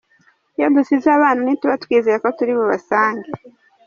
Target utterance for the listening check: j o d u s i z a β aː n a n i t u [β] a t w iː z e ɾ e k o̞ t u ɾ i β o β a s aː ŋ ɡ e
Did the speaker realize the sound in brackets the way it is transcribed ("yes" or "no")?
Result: yes